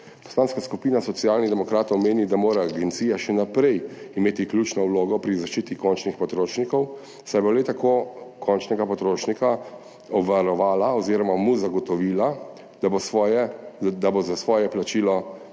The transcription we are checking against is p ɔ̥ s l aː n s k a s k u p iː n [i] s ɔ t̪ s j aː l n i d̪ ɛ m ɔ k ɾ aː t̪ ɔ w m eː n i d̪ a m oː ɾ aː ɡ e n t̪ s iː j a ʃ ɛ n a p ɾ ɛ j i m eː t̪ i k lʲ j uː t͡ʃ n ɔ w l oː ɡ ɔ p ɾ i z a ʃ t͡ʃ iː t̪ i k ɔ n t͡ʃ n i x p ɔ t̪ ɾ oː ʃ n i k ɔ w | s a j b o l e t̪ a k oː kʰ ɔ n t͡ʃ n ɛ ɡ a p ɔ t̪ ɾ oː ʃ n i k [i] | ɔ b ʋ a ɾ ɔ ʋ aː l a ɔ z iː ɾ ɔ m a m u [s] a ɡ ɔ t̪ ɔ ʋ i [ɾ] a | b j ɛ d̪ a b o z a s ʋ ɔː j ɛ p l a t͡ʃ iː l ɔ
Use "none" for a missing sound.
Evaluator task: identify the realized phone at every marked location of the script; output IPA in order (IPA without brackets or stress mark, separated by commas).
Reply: a, a, z, l